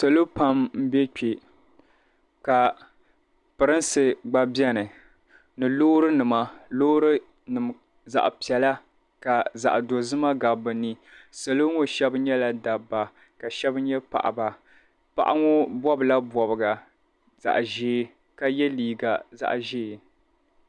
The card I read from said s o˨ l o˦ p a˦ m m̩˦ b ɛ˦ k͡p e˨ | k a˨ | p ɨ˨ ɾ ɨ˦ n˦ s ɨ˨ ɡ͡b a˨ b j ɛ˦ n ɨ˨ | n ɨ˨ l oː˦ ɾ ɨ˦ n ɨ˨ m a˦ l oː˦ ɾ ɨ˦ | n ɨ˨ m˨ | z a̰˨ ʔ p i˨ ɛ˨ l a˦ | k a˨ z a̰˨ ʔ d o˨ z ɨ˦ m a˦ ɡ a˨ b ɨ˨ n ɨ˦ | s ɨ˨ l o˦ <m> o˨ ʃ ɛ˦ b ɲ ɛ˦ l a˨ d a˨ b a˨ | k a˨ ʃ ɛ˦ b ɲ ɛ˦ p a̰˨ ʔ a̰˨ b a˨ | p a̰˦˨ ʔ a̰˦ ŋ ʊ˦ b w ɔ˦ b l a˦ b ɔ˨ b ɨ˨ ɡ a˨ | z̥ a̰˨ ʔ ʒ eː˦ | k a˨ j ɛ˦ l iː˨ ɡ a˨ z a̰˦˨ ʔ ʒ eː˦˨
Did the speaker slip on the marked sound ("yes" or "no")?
yes